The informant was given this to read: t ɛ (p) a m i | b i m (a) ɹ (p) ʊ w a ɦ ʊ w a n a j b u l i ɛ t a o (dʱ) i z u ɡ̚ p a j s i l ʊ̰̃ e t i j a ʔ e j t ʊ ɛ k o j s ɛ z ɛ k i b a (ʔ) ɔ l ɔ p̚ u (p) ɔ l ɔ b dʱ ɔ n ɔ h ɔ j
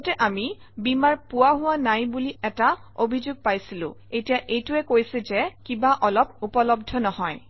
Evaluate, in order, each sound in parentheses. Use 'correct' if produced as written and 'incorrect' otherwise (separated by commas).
incorrect, correct, correct, incorrect, correct, correct